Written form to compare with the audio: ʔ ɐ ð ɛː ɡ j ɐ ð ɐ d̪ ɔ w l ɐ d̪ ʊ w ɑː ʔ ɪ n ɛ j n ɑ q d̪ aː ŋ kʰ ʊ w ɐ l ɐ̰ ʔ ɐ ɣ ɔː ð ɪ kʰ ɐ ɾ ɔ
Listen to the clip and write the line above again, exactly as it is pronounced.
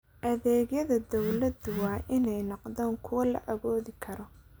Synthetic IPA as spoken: ʔ ɐ ð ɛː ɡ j ɐ ð ɐ d̪ ɔ w l ɐ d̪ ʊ w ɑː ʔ ɪ n ɛ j n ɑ q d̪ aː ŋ kʰ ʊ w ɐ l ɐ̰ ʔ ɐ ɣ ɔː ð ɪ kʰ ɐ ɾ ɔ